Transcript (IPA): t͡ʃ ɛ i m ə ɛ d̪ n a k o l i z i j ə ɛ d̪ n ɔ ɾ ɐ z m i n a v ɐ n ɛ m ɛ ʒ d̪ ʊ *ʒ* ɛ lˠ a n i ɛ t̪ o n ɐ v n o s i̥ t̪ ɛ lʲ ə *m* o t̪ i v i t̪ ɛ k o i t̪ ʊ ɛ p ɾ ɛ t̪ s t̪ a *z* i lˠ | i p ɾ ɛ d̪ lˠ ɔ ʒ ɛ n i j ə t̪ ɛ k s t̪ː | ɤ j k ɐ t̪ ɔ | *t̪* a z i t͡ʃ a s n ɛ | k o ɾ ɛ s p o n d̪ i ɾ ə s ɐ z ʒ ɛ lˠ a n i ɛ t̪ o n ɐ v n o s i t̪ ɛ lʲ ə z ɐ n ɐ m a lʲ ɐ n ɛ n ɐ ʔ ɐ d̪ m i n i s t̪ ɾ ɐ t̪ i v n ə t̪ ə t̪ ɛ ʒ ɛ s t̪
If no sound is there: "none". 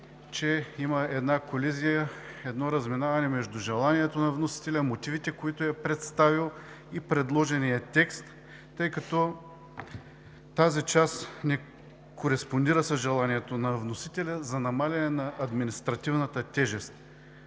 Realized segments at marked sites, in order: ʒ, m, v, t̪

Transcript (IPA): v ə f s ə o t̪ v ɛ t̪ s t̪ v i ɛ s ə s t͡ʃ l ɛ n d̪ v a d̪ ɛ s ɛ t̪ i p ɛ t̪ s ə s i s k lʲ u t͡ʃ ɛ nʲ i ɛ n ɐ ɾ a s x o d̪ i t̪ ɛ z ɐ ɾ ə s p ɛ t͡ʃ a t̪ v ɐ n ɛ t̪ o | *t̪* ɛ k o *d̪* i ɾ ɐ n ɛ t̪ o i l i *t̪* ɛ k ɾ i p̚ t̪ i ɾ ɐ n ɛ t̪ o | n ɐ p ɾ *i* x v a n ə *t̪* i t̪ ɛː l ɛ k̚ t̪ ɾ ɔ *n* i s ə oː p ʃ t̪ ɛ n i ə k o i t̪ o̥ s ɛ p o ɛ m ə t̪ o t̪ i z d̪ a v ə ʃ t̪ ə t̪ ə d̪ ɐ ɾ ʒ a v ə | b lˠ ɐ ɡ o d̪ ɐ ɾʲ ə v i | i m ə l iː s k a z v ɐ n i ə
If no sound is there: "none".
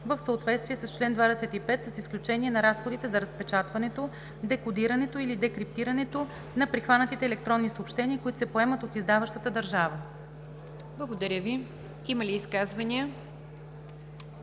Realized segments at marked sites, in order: d̪, d̪, d̪, i, t̪, nː

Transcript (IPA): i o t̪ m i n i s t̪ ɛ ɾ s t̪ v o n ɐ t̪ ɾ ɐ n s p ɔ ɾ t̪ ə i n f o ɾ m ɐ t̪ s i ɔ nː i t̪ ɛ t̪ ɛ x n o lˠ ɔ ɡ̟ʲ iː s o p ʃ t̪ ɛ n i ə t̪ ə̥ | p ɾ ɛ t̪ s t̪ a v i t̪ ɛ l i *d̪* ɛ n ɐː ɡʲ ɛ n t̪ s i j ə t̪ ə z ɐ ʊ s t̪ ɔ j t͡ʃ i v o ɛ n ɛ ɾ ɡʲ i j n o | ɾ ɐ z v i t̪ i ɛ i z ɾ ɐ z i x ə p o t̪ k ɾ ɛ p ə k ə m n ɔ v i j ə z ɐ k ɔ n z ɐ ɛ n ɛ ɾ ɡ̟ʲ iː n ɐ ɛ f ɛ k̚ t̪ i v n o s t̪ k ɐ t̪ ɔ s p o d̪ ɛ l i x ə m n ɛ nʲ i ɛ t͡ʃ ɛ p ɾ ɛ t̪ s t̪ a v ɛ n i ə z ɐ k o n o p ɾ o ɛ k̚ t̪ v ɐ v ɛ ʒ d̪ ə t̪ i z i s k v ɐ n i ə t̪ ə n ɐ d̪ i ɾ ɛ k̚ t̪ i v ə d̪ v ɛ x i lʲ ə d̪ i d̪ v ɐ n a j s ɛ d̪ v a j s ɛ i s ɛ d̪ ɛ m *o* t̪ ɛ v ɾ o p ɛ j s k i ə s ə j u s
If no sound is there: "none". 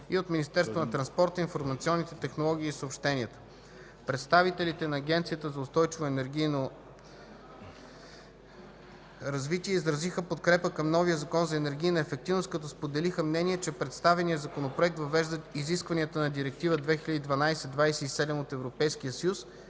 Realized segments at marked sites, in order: t̪, o

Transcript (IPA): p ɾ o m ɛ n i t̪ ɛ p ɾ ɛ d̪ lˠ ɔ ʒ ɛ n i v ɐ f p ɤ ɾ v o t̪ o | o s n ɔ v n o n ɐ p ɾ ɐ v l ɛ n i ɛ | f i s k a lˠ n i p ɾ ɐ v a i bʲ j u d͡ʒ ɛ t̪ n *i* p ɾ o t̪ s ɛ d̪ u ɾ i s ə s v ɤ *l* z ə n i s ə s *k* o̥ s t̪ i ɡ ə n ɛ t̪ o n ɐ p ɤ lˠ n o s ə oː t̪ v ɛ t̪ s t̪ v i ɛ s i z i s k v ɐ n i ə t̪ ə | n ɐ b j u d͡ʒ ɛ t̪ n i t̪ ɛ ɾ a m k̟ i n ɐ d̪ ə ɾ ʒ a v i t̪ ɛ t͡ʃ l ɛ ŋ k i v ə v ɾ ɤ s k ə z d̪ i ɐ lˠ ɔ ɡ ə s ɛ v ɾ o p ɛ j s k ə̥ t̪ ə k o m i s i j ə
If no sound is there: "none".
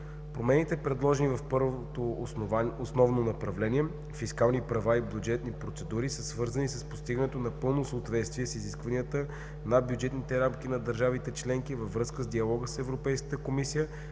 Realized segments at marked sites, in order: i, ɾ, p

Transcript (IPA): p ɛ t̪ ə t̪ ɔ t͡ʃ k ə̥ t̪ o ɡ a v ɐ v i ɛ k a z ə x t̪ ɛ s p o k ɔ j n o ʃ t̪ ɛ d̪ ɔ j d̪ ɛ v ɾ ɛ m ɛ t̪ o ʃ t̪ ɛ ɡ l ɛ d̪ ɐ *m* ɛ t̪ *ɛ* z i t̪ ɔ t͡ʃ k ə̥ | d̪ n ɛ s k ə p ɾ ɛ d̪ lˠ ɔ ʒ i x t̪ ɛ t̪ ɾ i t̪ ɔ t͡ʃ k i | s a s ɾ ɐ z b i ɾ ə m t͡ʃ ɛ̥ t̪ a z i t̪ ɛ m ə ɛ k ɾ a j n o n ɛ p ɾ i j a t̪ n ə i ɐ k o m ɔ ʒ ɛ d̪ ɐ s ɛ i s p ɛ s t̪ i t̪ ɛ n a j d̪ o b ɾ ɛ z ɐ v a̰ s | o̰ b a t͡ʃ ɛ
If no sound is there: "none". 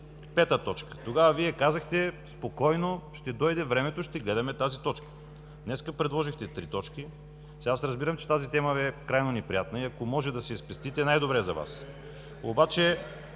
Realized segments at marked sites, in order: m, a

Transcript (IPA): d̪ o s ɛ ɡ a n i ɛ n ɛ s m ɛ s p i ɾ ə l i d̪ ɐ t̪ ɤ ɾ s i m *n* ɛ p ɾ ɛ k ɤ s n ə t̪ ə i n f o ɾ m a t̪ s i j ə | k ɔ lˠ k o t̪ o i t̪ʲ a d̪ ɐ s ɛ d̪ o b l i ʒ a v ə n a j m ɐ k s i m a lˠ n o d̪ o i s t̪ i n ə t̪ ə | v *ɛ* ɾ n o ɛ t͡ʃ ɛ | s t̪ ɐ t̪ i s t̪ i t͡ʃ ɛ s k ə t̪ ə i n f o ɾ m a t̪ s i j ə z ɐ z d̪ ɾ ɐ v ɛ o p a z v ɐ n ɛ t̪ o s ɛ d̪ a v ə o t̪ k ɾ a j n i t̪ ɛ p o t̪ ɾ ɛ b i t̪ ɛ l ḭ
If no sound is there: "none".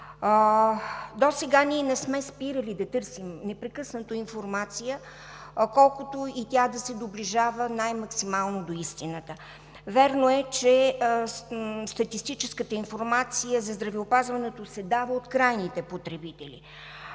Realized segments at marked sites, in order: n, ɛ

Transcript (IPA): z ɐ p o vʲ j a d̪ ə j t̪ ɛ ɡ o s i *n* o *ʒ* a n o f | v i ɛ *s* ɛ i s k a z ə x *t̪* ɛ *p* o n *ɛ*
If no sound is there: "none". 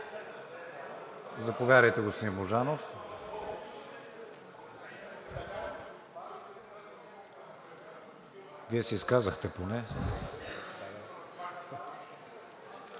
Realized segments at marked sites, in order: m, ʒ, s, t̪, p, ɛ

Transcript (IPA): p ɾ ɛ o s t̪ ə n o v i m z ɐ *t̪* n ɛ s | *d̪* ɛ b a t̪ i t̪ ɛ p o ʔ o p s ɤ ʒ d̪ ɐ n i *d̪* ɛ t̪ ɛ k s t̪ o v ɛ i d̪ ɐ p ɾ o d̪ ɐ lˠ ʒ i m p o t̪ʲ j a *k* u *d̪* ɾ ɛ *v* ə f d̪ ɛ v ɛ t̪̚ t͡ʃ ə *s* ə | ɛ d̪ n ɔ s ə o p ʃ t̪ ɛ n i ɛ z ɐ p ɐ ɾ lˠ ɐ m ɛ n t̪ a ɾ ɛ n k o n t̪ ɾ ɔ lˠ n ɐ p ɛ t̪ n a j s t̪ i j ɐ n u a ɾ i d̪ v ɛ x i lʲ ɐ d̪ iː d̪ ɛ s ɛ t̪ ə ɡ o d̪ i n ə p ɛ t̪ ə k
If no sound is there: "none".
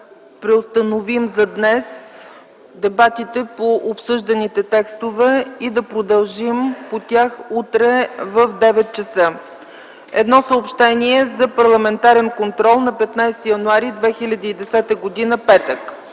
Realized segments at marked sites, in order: d̪, d̪, t̪, x, t̪, v, s

